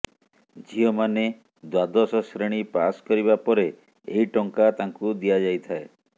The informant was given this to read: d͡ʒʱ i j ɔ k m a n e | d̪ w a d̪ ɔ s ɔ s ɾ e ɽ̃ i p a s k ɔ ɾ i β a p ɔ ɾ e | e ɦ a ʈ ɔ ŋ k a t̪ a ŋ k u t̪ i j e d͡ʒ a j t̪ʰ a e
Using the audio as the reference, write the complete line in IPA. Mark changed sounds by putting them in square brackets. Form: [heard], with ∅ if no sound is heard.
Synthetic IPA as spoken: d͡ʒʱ i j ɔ [∅] m a n e | d̪ w a d̪ ɔ s ɔ s ɾ e ɽ̃ i p a s k ɔ ɾ i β a p ɔ ɾ e | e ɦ [i] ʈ ɔ ŋ k a t̪ a ŋ k u [d̪] i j [a] d͡ʒ a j t̪ʰ a e

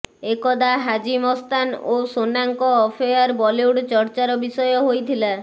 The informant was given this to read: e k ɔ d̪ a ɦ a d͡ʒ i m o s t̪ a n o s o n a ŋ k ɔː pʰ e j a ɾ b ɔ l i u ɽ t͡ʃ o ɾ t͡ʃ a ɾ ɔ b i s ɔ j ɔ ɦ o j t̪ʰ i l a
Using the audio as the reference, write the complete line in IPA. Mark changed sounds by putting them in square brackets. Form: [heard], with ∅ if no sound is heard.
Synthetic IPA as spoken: e k ɔ d̪ a ɦ a d͡ʒ i m [ɔ] s t̪ a n o s o n a ŋ k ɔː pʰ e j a ɾ b ɔ l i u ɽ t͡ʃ [ɔ] ɾ t͡ʃ a ɾ ɔ b i s ɔ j ɔ ɦ o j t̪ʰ i l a

